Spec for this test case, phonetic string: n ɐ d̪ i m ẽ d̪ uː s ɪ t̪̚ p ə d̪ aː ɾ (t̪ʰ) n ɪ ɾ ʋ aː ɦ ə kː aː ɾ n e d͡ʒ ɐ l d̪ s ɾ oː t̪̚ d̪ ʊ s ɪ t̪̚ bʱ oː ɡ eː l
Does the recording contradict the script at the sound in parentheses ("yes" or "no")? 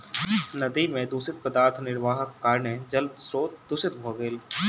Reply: no